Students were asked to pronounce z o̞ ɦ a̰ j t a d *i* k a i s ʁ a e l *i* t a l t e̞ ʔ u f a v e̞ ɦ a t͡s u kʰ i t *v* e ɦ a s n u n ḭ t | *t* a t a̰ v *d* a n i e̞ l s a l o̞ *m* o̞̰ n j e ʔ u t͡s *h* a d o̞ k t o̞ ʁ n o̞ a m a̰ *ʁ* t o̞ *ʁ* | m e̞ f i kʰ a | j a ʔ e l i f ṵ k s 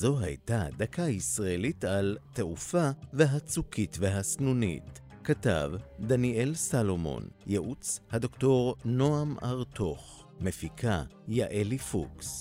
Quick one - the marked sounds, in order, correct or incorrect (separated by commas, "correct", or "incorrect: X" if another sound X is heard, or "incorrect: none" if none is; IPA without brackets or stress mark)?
incorrect: a, correct, correct, incorrect: k, correct, correct, correct, correct, incorrect: χ